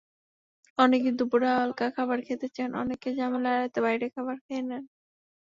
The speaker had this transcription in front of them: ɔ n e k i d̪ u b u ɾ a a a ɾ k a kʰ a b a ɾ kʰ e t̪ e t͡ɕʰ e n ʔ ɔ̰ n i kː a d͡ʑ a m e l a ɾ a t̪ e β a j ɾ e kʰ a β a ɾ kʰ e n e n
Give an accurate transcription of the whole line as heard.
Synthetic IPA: ɔ n e k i d̪ u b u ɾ a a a l k a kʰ a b a ɾ kʰ e t̪ e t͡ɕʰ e n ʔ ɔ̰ n e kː e d͡ʑ a m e l a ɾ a t̪ e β a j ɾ e kʰ a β a ɾ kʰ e n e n